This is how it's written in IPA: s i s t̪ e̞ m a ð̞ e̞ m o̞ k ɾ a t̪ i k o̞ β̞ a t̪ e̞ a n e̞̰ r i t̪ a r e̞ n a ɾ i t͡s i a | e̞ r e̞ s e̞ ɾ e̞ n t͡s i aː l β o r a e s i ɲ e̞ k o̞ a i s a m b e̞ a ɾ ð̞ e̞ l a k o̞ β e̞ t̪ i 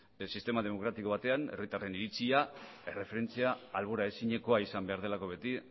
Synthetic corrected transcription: s i s t̪ e̞ m a ð̞ e̞ m o̞ k ɾ a t̪ i k o̞ β̞ a t̪ e̞ a n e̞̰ r i t̪ a r e̞ n i ɾ i t͡s i a | e̞ r e̞ f e̞ ɾ e̞ n t͡s i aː l β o ɾ a e s i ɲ e̞ k o̞ a i s a m b e̞ a ɾ ð̞ e̞ l a k o̞ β e̞ t̪ i